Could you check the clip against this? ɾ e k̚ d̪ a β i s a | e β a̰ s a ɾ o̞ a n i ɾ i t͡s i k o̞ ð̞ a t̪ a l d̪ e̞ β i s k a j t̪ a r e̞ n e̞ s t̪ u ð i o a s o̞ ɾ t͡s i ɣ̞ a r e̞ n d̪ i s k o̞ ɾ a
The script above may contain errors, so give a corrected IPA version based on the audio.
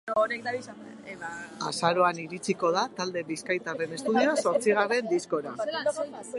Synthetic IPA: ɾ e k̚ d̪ a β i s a | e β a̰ s a ɾ o̞ a n i ɾ i t͡s i k o̞ ð̞ a t̪ a l d̪ e̞ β i s k a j t̪ a r e̞ n e̞ s t̪ u ð i o a s o̞ ɾ t͡s i ɣ̞ a r e̞ n d̪ i s k o̞ ɾ a